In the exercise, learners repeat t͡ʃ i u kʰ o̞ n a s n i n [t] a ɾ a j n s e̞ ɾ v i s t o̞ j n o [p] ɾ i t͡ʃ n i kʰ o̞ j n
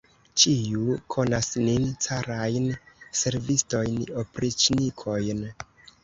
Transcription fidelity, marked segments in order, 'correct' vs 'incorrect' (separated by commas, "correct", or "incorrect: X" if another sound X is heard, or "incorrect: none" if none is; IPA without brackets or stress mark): incorrect: t͡s, correct